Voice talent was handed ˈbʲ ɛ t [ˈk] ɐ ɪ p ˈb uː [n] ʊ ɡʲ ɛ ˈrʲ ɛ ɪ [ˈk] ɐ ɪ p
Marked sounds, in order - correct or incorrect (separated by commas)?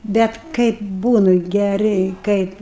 correct, correct, correct